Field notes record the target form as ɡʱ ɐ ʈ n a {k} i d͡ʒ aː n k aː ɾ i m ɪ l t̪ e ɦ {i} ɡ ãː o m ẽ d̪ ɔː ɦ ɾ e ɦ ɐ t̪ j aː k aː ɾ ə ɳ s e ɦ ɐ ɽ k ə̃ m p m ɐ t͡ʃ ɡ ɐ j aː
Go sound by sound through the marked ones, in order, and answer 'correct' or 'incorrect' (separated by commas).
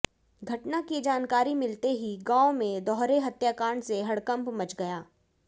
correct, correct